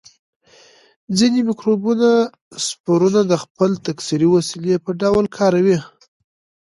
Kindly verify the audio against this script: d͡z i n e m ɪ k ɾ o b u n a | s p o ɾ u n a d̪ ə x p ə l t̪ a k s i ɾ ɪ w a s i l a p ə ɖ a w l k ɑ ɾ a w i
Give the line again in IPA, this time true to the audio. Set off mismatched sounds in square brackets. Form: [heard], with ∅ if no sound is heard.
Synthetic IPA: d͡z i n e m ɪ k ɾ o b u n a | s p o ɾ u n a d̪ ə x p ə l t̪ a k s i ɾ [i] w a s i l [e] p ə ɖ a w l [kʰ] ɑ ɾ a w i